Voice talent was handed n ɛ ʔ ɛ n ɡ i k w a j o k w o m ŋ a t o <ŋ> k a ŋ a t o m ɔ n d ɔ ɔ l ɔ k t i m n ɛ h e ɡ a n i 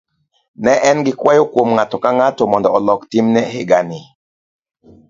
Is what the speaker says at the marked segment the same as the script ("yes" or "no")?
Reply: no